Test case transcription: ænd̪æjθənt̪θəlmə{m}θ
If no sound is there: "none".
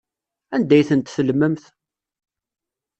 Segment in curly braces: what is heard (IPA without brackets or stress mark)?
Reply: m